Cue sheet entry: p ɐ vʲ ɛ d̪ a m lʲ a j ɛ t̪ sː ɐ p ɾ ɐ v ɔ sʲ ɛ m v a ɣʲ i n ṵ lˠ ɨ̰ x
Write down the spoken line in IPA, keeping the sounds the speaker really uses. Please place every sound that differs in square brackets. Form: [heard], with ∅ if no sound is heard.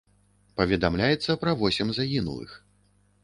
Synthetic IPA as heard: p ɐ vʲ ɛ d̪ a m lʲ a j ɛ t̪ sː ɐ p ɾ ɐ v ɔ sʲ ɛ m [z] a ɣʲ i n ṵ lˠ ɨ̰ x